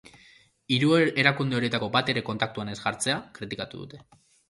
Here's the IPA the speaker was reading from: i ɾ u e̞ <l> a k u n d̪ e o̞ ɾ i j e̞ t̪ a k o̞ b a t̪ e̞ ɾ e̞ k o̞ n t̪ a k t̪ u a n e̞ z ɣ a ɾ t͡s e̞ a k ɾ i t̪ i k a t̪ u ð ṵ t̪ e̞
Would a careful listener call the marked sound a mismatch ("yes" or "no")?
yes